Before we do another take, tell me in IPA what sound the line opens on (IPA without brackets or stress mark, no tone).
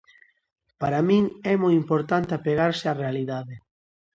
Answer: p